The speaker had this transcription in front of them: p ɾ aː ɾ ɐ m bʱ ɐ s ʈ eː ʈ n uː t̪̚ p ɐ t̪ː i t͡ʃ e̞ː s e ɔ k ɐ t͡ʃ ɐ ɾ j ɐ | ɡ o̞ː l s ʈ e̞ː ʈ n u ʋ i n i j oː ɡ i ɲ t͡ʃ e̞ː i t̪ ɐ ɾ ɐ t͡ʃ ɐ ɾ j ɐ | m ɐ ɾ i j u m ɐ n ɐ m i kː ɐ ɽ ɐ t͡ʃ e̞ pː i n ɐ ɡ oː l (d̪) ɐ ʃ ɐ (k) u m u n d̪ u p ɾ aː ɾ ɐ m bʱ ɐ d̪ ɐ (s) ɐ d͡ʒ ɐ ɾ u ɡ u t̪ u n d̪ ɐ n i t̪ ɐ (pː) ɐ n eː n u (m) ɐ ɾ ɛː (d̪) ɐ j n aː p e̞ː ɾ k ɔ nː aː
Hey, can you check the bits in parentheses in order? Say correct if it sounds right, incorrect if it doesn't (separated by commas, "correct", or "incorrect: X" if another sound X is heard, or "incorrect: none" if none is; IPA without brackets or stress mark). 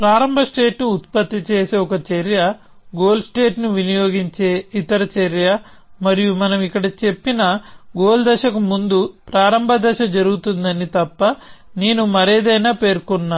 correct, correct, incorrect: ʃ, correct, correct, correct